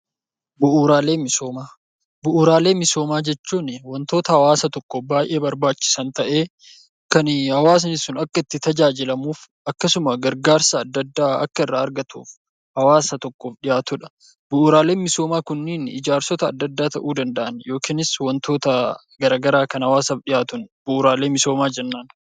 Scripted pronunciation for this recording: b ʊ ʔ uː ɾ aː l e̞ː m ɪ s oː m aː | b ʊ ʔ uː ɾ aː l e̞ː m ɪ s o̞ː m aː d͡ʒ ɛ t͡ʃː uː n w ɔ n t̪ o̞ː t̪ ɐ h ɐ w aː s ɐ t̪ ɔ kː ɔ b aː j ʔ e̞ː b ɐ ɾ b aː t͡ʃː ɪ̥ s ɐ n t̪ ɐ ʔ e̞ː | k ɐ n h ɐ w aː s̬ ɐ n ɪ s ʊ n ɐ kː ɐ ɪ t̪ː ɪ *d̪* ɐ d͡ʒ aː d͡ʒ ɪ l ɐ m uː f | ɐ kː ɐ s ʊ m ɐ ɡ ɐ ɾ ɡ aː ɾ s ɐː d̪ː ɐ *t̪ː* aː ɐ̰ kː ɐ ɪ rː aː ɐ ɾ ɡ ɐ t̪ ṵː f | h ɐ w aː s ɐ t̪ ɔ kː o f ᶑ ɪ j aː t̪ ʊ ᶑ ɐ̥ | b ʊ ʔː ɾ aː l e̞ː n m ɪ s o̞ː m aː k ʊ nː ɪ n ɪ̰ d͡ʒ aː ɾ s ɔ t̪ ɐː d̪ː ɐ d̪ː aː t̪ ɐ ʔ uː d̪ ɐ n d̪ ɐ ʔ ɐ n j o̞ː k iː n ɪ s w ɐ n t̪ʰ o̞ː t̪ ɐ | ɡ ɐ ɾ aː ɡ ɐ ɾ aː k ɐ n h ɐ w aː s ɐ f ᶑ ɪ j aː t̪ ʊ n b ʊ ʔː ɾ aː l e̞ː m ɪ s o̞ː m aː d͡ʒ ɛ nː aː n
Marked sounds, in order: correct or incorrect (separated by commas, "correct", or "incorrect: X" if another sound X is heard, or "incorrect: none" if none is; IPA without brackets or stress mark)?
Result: incorrect: t̪, incorrect: d̪ː